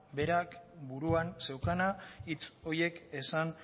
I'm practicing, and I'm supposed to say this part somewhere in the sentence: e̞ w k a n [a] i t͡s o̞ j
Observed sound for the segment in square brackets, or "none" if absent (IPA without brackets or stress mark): a